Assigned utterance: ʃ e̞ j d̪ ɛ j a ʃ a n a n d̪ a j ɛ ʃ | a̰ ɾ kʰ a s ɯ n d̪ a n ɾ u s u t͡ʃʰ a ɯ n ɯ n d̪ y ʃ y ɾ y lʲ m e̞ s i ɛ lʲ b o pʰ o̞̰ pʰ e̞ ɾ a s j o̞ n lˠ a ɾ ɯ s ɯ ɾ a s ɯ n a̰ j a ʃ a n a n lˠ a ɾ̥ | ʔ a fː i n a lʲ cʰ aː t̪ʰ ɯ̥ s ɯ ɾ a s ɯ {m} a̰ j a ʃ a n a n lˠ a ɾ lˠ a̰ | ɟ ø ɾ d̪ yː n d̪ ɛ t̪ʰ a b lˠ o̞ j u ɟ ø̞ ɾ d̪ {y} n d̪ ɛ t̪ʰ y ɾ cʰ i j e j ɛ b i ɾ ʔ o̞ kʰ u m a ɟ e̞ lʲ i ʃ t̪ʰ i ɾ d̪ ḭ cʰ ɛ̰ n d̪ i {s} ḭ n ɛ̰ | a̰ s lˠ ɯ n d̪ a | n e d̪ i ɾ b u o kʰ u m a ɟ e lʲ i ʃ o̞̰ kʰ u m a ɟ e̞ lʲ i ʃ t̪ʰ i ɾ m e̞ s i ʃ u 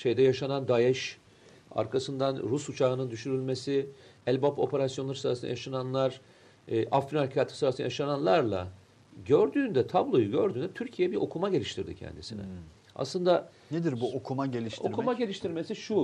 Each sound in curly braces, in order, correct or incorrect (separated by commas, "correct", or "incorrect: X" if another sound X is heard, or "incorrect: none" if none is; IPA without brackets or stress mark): incorrect: n, incorrect: yː, correct